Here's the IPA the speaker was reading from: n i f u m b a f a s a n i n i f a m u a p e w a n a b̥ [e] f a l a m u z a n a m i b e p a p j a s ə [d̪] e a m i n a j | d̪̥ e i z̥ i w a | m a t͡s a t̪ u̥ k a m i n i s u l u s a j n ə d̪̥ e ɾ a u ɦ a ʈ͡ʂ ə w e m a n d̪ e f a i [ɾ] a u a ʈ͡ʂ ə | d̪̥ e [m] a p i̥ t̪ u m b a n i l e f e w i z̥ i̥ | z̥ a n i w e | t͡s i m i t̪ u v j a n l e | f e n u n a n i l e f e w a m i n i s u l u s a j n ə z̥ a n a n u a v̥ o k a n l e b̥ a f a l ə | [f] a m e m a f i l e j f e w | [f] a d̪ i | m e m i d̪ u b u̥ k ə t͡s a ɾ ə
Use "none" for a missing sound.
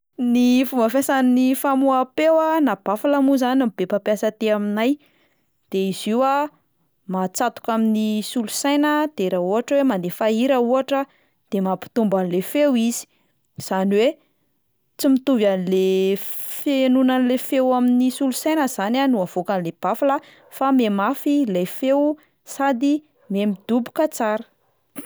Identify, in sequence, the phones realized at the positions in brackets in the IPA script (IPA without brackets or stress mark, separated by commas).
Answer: a, t̪, ɾ, m, f, s